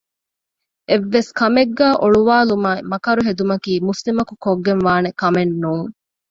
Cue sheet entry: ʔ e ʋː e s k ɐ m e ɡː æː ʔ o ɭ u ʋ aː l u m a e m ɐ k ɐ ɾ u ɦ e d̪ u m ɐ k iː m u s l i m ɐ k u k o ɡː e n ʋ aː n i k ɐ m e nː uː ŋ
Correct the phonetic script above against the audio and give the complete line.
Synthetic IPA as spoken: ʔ e ʋː e s k ɐ m e ɡː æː ʔ o ɭ u ʋ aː l u m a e m ɐ k ɐ ɾ u ɦ e d̪ u m ɐ k iː m u s l i m ɐ k u k o ɡː e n ʋ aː n e k ɐ m e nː uː ŋ